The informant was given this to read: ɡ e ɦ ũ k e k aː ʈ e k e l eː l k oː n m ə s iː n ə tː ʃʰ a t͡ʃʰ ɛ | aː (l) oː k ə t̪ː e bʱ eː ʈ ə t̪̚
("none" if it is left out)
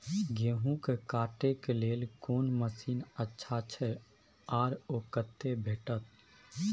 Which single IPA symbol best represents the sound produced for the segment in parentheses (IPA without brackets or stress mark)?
ɾ